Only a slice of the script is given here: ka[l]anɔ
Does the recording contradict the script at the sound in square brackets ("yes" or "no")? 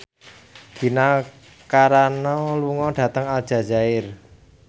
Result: yes